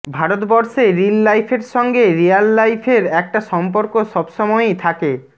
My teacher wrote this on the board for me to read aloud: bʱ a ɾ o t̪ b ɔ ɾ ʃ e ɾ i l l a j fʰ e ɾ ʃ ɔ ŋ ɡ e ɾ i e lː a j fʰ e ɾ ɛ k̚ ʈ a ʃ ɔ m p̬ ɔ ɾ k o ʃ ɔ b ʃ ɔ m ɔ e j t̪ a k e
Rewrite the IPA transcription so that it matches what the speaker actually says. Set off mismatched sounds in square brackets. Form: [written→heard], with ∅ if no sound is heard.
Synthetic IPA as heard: bʱ a ɾ o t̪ b ɔ ɾ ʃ e ɾ i l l a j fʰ e ɾ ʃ ɔ ŋ ɡ e ɾ i [e→a] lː a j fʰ e ɾ ɛ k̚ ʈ a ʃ ɔ m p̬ [ɔ→o] ɾ k o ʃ ɔ b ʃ ɔ m ɔ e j [t̪→t̪ʰ] a k e